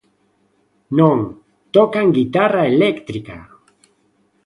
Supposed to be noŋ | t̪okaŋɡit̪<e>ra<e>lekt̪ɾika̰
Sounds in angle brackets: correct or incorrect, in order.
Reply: incorrect, correct

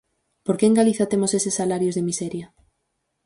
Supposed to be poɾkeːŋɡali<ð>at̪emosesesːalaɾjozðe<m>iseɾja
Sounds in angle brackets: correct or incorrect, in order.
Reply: incorrect, correct

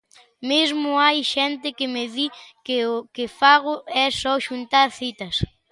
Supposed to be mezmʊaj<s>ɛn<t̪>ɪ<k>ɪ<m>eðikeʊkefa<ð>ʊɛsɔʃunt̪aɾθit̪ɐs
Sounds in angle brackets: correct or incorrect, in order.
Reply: incorrect, correct, correct, correct, incorrect

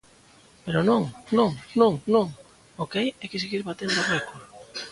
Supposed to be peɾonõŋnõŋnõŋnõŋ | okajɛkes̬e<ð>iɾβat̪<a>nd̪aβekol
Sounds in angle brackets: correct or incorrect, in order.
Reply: incorrect, incorrect

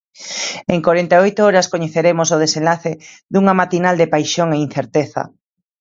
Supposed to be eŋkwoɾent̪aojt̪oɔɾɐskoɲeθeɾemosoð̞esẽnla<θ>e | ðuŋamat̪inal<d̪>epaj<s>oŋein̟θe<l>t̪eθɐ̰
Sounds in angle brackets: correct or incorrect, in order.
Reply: correct, correct, incorrect, incorrect

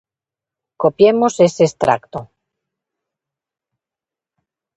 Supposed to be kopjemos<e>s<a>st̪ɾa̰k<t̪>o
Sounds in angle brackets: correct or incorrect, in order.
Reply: correct, incorrect, correct

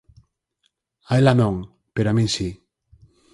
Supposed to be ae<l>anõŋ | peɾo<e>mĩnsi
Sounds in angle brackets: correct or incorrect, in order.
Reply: correct, incorrect

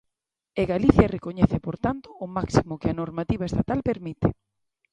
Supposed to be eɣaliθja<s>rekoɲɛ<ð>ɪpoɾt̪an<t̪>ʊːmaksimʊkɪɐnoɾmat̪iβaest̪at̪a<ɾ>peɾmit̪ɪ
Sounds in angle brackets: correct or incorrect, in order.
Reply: incorrect, incorrect, correct, incorrect

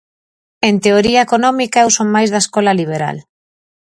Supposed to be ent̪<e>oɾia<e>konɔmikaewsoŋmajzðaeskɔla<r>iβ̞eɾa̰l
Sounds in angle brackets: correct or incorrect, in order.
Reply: correct, correct, incorrect

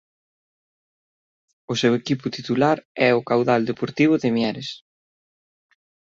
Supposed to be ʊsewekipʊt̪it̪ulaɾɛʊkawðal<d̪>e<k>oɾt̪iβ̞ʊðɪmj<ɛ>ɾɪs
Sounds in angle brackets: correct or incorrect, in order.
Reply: correct, incorrect, correct

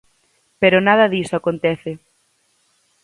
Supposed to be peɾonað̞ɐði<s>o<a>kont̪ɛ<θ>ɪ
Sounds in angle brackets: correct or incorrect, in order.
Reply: correct, correct, correct

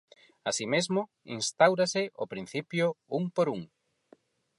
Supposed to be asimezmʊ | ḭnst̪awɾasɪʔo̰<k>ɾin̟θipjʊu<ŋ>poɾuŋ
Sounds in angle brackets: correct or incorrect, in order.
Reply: incorrect, correct

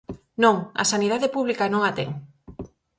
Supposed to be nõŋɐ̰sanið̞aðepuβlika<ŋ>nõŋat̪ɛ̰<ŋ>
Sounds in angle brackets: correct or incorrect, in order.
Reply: incorrect, correct

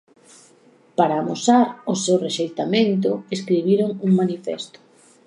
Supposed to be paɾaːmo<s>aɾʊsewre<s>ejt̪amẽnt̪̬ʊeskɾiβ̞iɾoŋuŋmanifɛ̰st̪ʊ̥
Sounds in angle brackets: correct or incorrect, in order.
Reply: correct, incorrect

